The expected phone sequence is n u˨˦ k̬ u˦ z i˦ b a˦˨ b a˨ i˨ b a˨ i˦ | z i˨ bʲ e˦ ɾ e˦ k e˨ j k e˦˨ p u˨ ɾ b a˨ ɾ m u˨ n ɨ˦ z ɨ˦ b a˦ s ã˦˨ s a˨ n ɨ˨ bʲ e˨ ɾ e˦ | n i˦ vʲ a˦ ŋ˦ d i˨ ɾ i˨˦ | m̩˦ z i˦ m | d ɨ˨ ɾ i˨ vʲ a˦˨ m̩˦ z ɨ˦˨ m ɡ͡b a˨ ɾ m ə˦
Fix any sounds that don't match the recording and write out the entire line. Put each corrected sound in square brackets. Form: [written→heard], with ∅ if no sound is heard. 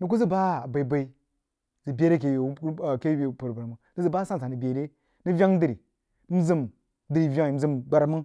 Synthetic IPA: n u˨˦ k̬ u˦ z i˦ b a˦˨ b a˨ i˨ b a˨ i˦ | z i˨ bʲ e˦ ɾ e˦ k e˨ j k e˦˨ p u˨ ɾ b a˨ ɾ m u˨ n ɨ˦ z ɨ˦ b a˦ s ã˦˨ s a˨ n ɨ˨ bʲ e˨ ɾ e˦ | n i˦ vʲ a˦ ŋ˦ d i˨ ɾ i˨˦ | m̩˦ z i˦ m | d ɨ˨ ɾ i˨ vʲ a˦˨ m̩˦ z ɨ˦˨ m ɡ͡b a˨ ɾ m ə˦